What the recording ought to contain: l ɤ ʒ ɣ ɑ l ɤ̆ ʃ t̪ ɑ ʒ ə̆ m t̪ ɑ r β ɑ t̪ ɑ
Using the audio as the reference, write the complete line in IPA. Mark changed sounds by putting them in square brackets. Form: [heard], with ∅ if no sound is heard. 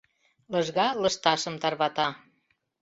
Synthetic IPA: l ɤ ʒ ɣ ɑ l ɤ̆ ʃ t̪ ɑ [ʃ] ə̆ m t̪ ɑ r β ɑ t̪ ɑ